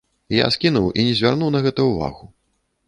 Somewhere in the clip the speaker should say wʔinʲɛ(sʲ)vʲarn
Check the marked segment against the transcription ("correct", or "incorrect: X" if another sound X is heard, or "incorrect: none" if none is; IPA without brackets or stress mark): incorrect: zʲ